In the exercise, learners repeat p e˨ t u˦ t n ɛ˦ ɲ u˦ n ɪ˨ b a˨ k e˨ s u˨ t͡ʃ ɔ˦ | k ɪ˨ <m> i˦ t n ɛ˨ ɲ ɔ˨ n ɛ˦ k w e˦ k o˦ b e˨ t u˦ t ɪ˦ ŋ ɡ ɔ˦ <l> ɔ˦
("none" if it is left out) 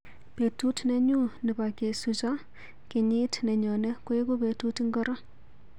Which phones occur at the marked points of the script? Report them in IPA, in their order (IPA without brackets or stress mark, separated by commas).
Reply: ɲ, ɾ